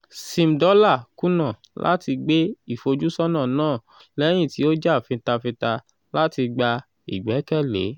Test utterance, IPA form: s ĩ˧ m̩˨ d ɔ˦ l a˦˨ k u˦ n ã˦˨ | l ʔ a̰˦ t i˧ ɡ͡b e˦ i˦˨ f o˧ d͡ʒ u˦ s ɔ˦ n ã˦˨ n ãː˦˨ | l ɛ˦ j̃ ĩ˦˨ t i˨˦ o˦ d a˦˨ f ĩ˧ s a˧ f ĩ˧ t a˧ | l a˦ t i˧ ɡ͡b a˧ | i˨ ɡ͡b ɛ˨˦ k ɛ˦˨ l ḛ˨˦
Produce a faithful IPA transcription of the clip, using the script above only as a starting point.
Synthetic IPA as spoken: s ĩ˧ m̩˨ d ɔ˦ l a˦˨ k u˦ n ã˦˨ | l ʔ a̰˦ t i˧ ɡ͡b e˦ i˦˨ f o˧ d͡ʒ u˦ s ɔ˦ n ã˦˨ n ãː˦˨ | l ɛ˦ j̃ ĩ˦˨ t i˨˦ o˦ d͡ʒ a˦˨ f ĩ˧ t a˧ f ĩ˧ t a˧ | l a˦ t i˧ ɡ͡b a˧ | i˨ ɡ͡b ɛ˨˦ k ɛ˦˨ l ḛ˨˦